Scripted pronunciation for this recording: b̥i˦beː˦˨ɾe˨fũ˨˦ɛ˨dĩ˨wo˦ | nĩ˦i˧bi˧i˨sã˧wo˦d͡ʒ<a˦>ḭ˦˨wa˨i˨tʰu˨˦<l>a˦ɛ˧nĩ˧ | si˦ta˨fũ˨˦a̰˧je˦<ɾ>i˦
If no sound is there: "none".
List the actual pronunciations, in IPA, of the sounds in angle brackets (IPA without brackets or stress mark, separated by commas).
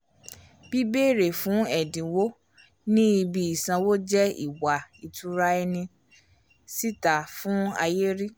ɛ˦, ɾ, ɾ